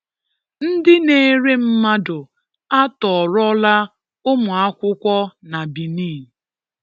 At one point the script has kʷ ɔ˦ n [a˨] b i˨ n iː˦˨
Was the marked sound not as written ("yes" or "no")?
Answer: no